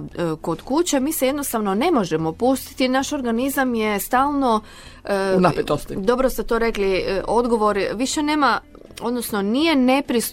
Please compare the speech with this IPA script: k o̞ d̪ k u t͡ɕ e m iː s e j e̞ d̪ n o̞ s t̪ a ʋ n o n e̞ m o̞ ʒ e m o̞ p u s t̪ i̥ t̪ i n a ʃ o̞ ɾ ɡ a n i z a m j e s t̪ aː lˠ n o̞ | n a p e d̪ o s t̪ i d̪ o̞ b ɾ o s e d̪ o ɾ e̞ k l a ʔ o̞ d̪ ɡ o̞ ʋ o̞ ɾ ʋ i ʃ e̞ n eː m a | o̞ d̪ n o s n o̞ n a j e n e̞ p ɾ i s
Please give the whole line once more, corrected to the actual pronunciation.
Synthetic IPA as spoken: k o̞ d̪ k u t͡ɕ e m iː s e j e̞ d̪ n o̞ s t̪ a ʋ n o n e̞ m o̞ ʒ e m o̞ p u s t̪ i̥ t̪ i n a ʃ o̞ ɾ ɡ a n i z a m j e s t̪ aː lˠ n o̞ | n a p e t̪ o s t̪ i d̪ o̞ b ɾ o s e t̪ o ɾ e̞ k l i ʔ o̞ d̪ ɡ o̞ ʋ o̞ ɾ ʋ i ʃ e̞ n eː m a | o̞ d̪ n o s n o̞ n i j e n e̞ p ɾ i s